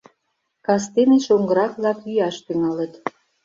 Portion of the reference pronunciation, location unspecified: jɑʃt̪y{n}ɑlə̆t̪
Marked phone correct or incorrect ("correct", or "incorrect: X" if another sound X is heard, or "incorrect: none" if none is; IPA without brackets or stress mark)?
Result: incorrect: ŋ